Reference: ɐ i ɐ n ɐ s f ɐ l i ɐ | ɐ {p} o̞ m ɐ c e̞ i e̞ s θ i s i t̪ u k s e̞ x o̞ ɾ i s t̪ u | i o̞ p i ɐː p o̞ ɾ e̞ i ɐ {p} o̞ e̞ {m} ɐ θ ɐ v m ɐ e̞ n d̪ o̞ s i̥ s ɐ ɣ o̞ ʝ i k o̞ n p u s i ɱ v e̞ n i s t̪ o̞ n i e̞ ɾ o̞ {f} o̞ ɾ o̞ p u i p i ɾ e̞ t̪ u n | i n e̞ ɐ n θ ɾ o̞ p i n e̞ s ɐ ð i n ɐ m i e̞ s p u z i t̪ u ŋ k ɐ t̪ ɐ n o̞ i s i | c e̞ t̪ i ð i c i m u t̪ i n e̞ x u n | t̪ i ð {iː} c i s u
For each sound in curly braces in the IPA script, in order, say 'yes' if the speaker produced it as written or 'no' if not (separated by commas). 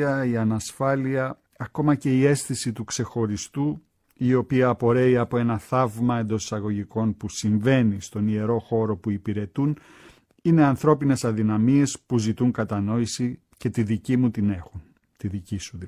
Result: no, yes, no, no, no